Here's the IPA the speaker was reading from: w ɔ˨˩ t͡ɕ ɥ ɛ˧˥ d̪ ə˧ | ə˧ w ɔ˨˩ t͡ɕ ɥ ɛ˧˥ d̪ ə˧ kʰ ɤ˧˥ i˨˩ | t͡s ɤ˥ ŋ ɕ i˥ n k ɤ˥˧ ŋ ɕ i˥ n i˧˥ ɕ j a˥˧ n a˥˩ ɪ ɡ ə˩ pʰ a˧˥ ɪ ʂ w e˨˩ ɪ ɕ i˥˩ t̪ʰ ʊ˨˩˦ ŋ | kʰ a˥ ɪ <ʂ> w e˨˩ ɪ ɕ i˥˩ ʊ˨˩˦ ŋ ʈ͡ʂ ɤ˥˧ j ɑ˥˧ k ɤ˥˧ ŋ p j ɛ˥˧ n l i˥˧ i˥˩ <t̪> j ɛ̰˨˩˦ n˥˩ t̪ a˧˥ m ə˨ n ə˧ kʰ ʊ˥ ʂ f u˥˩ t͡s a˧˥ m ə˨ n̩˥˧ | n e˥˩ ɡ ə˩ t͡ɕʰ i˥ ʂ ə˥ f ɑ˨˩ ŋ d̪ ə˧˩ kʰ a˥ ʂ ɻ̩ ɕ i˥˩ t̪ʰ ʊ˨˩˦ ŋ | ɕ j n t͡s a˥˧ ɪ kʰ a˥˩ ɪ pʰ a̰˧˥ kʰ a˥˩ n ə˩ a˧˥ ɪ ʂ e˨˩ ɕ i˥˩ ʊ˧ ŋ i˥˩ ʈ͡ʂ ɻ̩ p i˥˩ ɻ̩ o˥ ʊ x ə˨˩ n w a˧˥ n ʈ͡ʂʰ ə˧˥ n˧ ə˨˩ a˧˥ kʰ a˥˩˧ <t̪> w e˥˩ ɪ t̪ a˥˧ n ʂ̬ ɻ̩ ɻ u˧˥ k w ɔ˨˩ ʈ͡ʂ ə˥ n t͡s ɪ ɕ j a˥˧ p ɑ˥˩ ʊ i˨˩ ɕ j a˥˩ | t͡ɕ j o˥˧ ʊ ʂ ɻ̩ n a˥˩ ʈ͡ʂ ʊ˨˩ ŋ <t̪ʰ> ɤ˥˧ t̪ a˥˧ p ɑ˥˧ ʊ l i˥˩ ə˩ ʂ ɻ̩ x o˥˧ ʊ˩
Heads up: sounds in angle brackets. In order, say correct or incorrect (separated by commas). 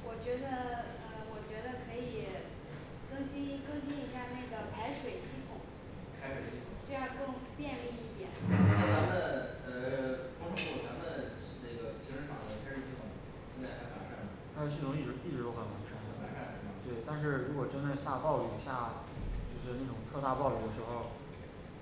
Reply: correct, correct, correct, correct